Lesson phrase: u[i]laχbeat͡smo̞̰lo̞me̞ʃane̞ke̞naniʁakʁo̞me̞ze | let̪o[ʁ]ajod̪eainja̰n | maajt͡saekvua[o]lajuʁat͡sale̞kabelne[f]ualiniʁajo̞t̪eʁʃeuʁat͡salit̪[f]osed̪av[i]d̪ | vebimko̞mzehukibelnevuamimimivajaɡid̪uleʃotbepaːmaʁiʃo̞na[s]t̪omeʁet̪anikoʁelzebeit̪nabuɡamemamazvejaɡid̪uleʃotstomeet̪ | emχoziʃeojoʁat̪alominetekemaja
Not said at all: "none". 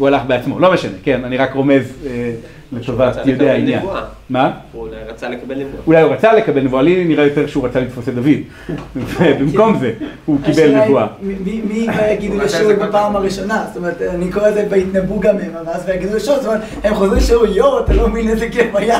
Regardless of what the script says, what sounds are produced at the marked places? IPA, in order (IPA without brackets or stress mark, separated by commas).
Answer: a, v, u, v, f, i, s